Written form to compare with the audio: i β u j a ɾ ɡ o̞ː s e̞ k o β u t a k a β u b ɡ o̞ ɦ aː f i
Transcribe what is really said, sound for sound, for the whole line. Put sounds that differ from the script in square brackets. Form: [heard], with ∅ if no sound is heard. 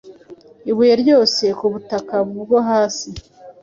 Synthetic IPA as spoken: i β u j [e] ɾ [ɟ] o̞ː s e̞ k [u] β u t a k a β u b ɡ o̞ ɦ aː [s] i